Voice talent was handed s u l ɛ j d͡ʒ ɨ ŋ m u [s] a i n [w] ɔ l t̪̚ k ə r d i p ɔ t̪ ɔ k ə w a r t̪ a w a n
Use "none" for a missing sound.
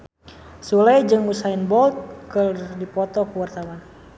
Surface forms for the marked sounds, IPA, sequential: s, b

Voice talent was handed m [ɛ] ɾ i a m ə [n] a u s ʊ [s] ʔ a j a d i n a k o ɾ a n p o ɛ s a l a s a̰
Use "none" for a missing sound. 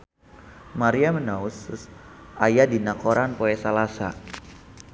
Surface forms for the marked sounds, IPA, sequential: a, n, s

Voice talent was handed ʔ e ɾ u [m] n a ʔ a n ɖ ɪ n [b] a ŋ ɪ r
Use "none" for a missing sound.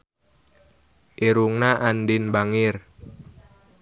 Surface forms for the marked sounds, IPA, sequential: ŋ, b

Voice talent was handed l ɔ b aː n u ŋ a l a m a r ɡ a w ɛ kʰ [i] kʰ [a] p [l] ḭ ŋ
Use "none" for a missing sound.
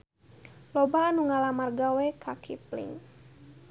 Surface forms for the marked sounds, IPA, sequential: a, i, l

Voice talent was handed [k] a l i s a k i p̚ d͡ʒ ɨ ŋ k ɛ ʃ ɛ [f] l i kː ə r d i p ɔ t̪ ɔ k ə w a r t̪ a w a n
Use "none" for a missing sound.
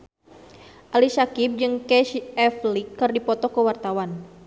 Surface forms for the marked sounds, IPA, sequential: ʔ, f

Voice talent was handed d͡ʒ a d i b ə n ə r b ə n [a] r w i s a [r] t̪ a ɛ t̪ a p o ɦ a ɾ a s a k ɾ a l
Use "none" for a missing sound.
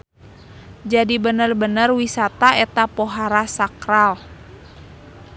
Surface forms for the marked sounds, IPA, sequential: ə, none

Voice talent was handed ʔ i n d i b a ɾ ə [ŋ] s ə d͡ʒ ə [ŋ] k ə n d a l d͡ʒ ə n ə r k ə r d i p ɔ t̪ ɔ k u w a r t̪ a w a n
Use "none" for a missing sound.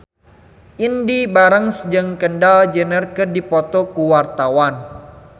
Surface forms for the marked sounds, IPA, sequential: ŋ, ŋ

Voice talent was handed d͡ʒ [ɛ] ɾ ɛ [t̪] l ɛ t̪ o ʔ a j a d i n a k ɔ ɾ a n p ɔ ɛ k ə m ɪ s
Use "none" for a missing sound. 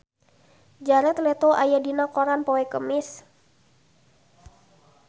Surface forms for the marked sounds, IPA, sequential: a, t̪

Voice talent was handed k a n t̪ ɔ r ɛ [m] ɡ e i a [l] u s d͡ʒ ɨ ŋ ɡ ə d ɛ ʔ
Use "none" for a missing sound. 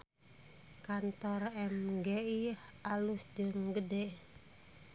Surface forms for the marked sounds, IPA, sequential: m, l

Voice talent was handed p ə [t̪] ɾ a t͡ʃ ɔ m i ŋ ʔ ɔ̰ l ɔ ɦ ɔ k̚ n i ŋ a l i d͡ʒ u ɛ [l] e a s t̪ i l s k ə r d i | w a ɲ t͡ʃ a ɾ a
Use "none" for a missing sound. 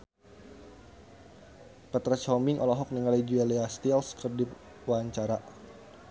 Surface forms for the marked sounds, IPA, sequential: t̪, l

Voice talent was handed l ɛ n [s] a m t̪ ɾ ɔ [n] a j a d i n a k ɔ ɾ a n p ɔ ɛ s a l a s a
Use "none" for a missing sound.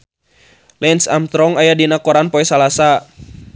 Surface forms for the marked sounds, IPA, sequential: s, ŋ

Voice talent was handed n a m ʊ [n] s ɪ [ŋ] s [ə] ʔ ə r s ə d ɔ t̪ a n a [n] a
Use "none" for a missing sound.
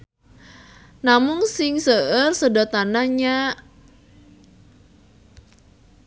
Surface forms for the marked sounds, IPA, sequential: ŋ, ŋ, ə, ɲ

